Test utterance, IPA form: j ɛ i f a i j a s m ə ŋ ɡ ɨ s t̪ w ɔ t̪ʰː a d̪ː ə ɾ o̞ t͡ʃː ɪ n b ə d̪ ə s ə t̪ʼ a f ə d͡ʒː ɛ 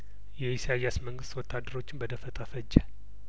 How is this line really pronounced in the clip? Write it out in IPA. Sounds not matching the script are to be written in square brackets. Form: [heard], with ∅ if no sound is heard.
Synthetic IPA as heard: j ɛ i [s] a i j a s m ə ŋ ɡ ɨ s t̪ w ɔ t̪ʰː a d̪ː ə ɾ o̞ t͡ʃː ɪ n b ə d̪ ə [f] ə t̪ʼ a f ə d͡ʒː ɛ